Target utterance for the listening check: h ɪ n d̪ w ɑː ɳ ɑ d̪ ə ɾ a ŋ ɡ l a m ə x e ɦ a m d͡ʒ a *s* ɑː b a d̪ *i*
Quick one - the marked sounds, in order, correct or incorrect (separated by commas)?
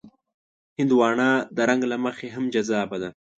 incorrect, incorrect